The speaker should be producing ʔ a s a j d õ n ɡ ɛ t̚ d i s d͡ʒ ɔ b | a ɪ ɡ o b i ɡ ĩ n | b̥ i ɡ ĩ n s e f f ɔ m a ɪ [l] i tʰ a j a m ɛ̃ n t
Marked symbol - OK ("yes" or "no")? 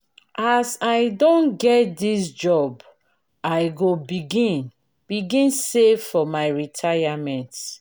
no